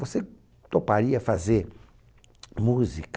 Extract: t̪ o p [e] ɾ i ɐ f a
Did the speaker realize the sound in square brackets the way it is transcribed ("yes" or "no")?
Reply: no